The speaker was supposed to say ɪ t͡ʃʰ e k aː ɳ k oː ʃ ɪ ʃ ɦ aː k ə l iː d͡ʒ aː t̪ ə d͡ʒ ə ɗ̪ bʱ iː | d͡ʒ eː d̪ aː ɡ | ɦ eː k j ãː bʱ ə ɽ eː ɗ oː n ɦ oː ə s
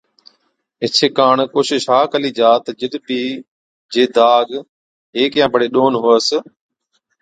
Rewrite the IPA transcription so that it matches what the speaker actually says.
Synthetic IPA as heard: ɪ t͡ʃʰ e k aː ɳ k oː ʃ ɪ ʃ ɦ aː k ə l iː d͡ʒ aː t̪ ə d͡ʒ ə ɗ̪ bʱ iː | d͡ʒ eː d̪ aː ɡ | ɦ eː k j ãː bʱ ə ɽ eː ɗ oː n ɦ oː ə s